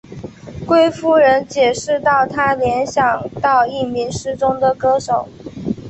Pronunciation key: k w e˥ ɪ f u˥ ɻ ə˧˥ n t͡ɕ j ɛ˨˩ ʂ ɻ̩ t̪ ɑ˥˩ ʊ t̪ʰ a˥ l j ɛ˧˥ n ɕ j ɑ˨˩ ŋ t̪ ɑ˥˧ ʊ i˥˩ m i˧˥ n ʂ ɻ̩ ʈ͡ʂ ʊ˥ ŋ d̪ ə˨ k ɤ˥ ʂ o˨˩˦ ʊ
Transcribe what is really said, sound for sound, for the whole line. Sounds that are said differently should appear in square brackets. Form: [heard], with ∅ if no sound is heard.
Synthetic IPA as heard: k w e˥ ɪ f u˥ ɻ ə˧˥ n t͡ɕ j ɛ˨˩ ʂ ɻ̩ t̪ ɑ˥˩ ʊ t̪ʰ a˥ l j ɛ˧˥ n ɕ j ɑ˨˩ ŋ t̪ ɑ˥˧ ʊ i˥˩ m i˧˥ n ʂ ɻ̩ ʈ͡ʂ ʊ˥ ŋ d̪ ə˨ k ɤ˥ ʂ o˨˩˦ ʊ